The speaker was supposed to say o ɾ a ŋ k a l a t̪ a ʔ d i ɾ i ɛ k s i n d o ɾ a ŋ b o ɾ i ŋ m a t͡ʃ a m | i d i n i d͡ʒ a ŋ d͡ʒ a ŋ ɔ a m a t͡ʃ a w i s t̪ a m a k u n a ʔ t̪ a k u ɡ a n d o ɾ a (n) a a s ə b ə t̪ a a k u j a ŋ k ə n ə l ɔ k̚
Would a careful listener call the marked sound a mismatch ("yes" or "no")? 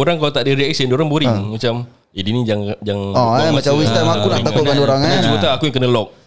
yes